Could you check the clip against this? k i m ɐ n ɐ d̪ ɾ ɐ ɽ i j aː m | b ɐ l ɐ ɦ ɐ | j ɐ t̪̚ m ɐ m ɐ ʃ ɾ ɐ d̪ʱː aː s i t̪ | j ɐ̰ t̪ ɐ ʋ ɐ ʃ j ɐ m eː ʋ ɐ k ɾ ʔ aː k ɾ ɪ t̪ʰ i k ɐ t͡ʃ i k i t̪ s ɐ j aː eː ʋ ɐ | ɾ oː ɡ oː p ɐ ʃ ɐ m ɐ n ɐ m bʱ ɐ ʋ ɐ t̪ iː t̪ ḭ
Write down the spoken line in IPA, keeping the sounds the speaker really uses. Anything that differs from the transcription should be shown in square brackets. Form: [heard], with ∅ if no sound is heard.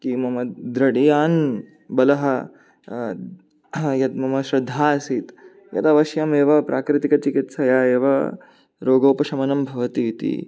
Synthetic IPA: k i m ɐ [m] ɐ d̪ ɾ ɐ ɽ i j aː [n] | b ɐ l ɐ ɦ ɐ | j ɐ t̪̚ m ɐ m ɐ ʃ ɾ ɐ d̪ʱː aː s i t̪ | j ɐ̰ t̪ ɐ ʋ ɐ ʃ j ɐ m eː ʋ ɐ [p] ɾ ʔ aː k ɾ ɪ [t̪] i k ɐ t͡ʃ i k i t̪ s ɐ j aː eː ʋ ɐ | ɾ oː ɡ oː p ɐ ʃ ɐ m ɐ n ɐ m bʱ ɐ ʋ ɐ t̪ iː t̪ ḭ